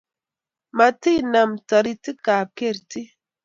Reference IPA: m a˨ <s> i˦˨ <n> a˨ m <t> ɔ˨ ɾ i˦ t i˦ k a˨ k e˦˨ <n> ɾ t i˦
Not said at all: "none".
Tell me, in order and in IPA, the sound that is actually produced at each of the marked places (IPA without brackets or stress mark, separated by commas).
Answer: t, n, t, none